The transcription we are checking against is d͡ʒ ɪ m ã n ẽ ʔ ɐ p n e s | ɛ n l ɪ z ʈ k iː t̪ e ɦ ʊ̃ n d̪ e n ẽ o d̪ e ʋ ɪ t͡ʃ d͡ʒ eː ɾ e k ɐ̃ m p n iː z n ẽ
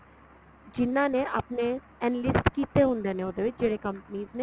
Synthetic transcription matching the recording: d͡ʒ ɪ n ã n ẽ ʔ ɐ p n e | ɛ n l ɪ s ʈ k iː t̪ e ɦ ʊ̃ n d̪ e n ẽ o d̪ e ʋ ɪ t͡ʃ d͡ʒ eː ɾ e k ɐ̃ m p n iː z n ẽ

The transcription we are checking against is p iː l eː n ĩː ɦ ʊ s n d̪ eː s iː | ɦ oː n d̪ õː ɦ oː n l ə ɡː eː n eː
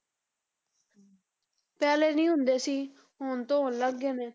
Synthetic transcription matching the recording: p ɛː l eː n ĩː ɦ ʊ n d̪ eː s iː | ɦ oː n t̪ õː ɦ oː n l ə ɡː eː n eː

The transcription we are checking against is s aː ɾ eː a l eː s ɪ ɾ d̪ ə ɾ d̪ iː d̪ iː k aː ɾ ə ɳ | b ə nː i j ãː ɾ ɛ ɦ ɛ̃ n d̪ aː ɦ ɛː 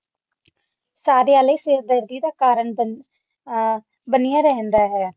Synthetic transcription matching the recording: s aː ɾ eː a l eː s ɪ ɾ d̪ ə ɾ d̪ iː d̪ aː k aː ɾ ə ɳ | b ə n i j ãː ɾ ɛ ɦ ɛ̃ n d̪ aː ɦ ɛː

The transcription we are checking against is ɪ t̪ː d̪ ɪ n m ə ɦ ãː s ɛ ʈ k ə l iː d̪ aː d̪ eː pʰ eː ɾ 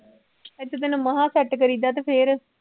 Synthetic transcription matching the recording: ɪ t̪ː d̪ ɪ n m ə ɦ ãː s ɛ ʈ k ə ɾ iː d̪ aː t̪ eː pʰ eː ɾ

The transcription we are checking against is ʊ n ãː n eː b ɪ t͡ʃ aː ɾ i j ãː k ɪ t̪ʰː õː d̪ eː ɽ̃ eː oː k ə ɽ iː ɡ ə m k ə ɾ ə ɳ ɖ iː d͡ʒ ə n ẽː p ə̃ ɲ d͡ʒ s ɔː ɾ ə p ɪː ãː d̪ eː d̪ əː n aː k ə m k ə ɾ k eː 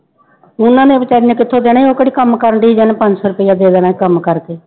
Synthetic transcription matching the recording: ʊ n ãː n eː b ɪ t͡ʃ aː ɾ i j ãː k ɪ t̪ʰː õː d̪ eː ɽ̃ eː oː k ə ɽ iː k ə m k ə ɾ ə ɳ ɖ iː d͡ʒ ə n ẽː p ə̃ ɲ d͡ʒ s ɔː ɾ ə p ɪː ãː d̪ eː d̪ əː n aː k ə m k ə ɾ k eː

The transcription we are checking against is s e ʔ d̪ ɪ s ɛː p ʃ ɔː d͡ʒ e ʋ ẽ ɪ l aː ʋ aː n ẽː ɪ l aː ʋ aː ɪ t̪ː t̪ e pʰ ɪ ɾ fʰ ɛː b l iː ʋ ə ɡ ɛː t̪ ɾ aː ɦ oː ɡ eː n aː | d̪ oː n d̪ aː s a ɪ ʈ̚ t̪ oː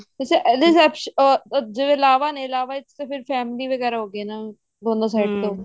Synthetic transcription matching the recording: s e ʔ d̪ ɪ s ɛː p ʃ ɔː d͡ʒ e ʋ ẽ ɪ l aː ʋ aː n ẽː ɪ l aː ʋ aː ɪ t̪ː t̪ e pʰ ɪ ɾ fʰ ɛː m l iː ʋ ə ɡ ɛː ɾ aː ɦ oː ɡ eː n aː | d̪ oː n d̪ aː s a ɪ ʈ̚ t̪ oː

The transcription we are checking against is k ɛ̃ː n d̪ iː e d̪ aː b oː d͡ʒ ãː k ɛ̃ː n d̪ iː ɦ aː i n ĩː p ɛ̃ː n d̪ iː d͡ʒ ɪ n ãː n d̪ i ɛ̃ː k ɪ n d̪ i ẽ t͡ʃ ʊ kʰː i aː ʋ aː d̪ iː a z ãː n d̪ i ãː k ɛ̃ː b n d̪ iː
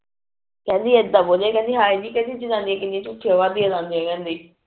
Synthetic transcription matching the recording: k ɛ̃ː n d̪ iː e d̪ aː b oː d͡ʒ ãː k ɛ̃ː n d̪ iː ɦ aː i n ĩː k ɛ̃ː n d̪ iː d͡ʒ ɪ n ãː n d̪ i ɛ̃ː k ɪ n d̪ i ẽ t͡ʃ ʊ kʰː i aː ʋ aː d̪ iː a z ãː n d̪ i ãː k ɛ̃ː n d̪ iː

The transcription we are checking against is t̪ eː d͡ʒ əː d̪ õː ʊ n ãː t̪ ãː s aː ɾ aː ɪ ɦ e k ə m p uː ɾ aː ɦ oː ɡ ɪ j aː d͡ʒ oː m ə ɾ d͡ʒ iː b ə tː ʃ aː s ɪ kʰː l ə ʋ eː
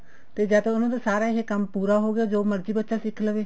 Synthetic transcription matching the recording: t̪ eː d͡ʒ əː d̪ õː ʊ n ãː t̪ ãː s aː ɾ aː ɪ ɦ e k ə m p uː ɾ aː ɦ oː ɡ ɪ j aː d͡ʒ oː m ə ɾ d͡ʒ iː b ə tː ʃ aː s ɪ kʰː l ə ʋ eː

